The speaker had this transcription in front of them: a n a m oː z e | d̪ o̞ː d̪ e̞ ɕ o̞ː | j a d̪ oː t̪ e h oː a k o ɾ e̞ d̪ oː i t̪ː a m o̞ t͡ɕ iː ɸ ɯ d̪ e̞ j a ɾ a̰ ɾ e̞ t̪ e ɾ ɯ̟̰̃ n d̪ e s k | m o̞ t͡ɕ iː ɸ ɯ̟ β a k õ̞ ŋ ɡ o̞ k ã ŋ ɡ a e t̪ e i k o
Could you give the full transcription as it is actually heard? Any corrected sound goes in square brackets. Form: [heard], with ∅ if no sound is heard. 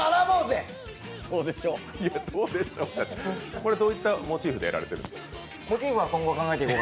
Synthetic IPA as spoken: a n a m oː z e | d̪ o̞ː d̪ e̞ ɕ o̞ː | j a d̪ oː [d̪] e [ɕ] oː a k o ɾ e̞ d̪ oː i t̪ː a m o̞ t͡ɕ iː ɸ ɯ d̪ e̞ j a ɾ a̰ ɾ e̞ t̪ e ɾ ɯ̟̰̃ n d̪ e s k | m o̞ t͡ɕ iː ɸ ɯ̟ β a k õ̞ ŋ ɡ o̞ k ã ŋ ɡ a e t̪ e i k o